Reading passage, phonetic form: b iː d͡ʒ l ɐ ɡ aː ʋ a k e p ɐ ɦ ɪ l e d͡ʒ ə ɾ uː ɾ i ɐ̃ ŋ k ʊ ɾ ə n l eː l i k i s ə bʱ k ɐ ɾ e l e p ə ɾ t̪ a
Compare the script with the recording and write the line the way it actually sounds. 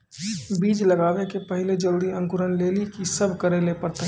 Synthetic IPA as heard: b iː d͡ʒ l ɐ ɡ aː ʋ e k e p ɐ ɦ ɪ l e d͡ʒ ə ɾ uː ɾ i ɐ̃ ŋ k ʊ ɾ ə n l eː l i k i s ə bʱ k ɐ ɾ e l e p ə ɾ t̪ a